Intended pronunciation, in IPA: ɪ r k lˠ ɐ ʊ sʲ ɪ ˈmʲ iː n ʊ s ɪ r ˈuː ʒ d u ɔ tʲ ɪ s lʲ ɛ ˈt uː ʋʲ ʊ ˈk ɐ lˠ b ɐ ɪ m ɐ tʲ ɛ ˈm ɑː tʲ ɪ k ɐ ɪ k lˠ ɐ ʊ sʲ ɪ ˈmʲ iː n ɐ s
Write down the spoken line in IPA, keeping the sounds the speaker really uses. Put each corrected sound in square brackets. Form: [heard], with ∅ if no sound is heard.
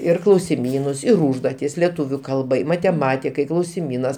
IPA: ɪ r k lˠ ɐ ʊ sʲ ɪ ˈmʲ iː n ʊ s ɪ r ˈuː ʒ d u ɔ tʲ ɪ s lʲ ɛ ˈt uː ʋʲ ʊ ˈk ɐ lˠ b ɐ ɪ m ɐ tʲ ɛ ˈm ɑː tʲ ɪ k ɐ ɪ k lˠ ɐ ʊ sʲ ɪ ˈmʲ iː n ɐ s